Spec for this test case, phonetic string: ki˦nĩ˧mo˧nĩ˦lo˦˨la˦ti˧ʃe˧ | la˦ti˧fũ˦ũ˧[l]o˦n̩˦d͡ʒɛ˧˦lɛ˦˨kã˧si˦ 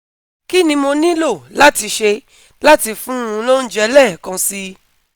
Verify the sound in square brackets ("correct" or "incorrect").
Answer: correct